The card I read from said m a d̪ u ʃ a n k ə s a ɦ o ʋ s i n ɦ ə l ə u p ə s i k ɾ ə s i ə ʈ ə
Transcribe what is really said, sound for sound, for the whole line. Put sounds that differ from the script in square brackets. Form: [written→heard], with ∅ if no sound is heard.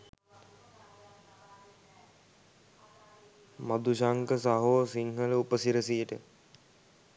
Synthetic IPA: m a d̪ u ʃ a [n→ŋ] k ə s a ɦ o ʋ s i [n→ŋ] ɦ ə l ə u p ə s i [k→∅] ɾ ə s i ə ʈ ə